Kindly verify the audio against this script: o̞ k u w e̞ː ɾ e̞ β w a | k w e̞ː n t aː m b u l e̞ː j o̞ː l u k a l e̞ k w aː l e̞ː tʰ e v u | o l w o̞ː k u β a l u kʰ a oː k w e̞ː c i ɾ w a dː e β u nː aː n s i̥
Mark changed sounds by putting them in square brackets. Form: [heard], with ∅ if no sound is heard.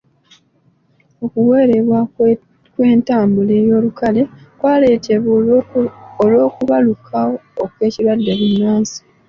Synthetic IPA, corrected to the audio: o̞ k u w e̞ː ɾ e̞ β w a | k w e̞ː n t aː m b u l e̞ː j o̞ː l u k a l e̞ k w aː l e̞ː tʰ e [β] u | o l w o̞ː k u β a l u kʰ a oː k w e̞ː c i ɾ w a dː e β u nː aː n s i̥

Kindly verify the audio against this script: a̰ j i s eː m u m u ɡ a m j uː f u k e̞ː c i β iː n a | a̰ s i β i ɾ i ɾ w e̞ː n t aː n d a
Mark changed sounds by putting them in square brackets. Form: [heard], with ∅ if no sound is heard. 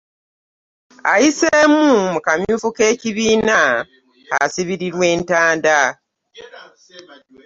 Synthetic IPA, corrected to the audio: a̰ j i s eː m u m u [k] a m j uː f u k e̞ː c i β iː n a | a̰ s i β i ɾ i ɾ w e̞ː n t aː n d a

